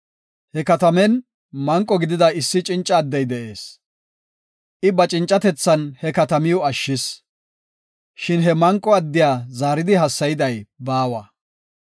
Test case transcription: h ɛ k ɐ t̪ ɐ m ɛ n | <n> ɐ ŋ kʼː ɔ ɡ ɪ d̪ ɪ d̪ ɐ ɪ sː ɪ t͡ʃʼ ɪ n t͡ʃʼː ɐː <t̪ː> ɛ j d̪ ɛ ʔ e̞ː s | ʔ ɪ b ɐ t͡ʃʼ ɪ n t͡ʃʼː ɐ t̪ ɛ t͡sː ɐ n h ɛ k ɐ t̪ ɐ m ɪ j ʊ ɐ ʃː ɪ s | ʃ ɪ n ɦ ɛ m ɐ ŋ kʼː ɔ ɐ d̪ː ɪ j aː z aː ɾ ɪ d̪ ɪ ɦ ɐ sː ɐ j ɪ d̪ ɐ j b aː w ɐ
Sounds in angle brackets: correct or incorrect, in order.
incorrect, incorrect

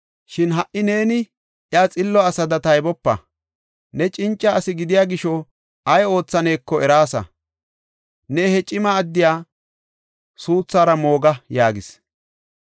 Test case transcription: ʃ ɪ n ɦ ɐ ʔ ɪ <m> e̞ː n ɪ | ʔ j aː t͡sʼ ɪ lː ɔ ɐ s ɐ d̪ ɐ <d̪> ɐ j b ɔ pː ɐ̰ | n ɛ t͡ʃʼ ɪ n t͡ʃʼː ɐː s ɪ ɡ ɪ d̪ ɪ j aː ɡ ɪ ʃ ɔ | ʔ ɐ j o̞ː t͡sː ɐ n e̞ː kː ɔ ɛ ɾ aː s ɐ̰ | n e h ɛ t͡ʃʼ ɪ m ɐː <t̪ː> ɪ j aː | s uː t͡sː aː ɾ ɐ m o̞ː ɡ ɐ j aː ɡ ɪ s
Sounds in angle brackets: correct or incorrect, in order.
incorrect, incorrect, incorrect

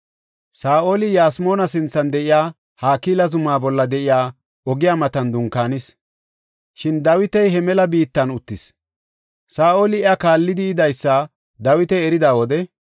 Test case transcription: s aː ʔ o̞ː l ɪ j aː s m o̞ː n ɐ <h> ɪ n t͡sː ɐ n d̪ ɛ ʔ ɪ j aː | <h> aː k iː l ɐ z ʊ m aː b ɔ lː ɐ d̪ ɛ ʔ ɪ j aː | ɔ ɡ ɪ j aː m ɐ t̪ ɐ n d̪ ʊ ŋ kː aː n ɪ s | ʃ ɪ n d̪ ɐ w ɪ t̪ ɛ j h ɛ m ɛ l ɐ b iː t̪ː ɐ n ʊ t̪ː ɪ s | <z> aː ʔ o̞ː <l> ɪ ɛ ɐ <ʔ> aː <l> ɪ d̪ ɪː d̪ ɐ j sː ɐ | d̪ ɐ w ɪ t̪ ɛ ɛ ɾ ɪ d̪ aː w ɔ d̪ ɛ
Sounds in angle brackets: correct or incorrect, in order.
incorrect, correct, incorrect, correct, incorrect, incorrect

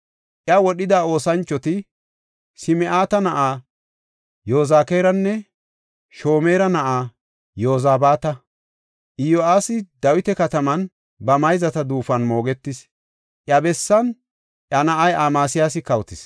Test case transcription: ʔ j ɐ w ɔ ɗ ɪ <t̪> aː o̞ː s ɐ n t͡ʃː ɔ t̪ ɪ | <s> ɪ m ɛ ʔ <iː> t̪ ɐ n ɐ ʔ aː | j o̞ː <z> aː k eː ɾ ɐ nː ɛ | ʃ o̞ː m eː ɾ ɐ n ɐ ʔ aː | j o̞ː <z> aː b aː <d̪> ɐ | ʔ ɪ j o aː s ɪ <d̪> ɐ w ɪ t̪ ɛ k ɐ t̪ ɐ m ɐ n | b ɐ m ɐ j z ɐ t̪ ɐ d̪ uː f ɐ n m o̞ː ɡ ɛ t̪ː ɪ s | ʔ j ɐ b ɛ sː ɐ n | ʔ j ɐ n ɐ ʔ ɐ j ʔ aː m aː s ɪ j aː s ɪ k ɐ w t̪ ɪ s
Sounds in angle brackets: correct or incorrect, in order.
incorrect, correct, incorrect, correct, correct, incorrect, correct

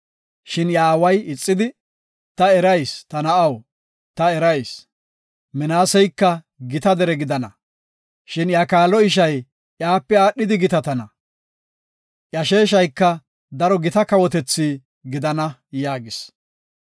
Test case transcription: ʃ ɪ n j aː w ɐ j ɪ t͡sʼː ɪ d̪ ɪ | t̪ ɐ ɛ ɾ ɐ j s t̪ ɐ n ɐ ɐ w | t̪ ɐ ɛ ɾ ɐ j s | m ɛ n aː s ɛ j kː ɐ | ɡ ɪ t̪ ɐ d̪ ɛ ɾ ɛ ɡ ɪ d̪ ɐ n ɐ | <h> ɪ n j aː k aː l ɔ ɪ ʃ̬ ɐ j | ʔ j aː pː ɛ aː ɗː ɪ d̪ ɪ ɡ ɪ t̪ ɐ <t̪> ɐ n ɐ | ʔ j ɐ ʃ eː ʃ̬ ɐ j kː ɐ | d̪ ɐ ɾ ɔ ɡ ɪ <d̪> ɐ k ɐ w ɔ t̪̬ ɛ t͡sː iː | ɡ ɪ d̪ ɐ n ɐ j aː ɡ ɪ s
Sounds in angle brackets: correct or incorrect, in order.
incorrect, correct, incorrect

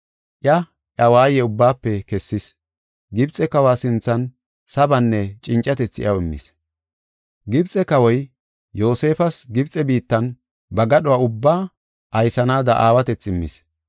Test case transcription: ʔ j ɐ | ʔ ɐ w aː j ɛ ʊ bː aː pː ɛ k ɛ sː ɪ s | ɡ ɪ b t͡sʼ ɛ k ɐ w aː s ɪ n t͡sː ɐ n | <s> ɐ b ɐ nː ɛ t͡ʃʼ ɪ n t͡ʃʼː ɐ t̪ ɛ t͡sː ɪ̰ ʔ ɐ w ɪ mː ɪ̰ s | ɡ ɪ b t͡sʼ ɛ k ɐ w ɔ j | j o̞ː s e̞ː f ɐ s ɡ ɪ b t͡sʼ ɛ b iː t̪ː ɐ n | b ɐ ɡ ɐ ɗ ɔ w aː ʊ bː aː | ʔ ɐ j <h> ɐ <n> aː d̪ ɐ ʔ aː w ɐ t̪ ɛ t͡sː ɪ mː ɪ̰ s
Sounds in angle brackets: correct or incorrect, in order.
correct, incorrect, correct

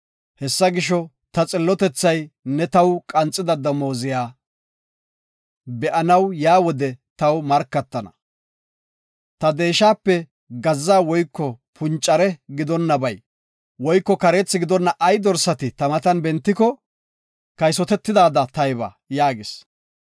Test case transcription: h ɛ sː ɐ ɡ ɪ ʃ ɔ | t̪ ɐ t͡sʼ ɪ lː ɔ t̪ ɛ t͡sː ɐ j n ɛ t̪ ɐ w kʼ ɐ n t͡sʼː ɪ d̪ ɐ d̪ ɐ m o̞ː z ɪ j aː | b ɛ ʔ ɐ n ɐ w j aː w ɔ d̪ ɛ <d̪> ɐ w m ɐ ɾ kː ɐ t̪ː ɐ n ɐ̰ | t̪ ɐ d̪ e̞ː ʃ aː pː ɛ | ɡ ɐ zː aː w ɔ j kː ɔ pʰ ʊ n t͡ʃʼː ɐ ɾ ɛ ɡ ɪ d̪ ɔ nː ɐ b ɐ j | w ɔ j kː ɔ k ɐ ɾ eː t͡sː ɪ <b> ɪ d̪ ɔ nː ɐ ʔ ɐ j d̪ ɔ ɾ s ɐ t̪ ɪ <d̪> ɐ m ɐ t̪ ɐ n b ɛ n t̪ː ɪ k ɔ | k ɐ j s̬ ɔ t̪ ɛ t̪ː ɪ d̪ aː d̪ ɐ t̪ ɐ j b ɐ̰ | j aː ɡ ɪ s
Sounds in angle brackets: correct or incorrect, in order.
incorrect, incorrect, incorrect

